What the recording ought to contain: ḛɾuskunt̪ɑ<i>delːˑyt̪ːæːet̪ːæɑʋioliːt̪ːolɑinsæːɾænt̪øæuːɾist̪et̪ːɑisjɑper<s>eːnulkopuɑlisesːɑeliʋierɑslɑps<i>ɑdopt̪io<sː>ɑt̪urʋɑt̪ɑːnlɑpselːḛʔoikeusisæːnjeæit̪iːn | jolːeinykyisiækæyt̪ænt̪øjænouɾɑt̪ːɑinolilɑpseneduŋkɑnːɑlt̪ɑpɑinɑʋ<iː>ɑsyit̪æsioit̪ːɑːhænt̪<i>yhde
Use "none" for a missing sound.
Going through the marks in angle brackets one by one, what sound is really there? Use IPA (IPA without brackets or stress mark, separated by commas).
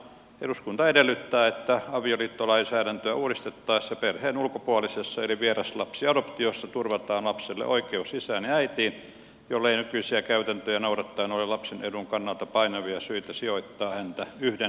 e, h, i, sː, i, æ